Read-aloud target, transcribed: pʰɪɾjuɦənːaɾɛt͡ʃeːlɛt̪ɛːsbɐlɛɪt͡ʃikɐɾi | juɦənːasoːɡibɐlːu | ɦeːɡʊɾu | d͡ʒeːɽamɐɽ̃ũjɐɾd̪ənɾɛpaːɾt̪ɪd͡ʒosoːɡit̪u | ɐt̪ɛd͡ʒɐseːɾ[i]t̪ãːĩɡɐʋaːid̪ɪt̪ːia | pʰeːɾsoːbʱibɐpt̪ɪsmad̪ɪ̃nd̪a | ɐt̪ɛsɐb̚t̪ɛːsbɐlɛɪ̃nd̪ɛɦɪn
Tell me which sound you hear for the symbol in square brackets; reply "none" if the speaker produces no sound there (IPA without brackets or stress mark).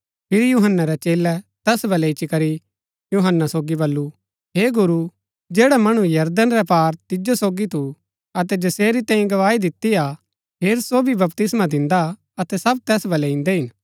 i